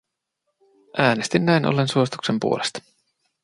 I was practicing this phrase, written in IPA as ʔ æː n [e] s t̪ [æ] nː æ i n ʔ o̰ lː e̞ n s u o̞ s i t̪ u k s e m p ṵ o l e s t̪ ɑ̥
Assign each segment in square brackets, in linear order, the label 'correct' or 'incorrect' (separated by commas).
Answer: correct, incorrect